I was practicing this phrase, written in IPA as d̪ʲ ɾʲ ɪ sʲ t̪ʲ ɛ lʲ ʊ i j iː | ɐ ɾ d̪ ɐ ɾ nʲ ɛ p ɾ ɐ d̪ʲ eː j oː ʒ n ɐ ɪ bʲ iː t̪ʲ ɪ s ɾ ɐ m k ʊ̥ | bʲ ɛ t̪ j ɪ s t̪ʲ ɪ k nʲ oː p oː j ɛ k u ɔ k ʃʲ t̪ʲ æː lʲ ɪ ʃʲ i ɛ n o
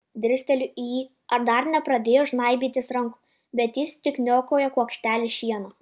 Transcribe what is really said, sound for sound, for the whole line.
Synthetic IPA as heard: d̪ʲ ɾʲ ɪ sʲ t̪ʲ ɛ lʲ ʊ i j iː | ɐ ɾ d̪ ɐ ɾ nʲ ɛ p ɾ ɐ d̪ʲ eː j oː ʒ n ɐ ɪ bʲ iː t̪ʲ ɪ s ɾ ɐ ŋ k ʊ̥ | bʲ ɛ t̪ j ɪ s t̪ʲ ɪ k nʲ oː k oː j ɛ k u ɔ k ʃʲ t̪ʲ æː lʲ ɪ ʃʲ i ɛ n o